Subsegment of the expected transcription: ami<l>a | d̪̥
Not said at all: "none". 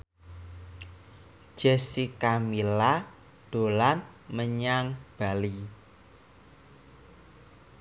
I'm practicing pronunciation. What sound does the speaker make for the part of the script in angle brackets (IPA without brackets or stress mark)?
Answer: l